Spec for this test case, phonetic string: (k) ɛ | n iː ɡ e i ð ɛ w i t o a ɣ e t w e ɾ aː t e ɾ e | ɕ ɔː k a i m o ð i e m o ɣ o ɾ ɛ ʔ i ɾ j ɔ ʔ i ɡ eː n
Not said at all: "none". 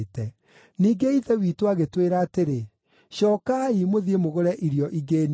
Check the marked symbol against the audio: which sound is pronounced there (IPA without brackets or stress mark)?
t